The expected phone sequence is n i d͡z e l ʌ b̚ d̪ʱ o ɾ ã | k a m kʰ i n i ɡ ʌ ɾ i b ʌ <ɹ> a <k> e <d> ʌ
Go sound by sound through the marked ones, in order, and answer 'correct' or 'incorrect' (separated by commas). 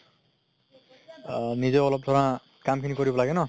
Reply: incorrect, incorrect, incorrect